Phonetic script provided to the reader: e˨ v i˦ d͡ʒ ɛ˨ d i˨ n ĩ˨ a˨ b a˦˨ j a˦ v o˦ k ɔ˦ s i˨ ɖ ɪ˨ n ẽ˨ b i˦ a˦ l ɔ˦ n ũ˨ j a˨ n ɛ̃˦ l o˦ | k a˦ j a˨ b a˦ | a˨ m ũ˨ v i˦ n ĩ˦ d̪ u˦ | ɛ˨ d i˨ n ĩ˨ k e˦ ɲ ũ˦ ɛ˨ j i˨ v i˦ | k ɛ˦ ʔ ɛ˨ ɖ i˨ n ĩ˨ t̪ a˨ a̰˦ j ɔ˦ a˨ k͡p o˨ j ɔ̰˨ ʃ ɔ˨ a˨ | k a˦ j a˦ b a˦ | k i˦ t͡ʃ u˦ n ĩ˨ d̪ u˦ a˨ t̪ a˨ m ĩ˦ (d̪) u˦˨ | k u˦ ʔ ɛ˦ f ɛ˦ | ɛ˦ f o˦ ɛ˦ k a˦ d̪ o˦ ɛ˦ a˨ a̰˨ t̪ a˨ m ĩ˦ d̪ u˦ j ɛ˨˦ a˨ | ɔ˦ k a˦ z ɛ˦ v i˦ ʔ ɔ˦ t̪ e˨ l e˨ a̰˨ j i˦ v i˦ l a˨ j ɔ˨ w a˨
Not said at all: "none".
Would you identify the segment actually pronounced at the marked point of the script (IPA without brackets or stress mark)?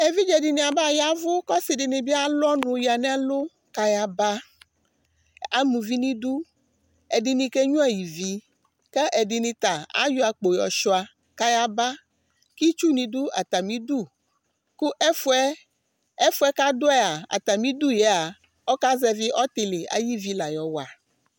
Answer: d̪